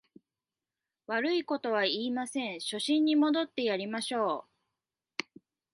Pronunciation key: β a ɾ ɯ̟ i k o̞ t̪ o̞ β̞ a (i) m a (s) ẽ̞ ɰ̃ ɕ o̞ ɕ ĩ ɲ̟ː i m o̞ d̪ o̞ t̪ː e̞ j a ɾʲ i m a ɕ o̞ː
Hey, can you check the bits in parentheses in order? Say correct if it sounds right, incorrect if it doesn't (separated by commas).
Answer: incorrect, correct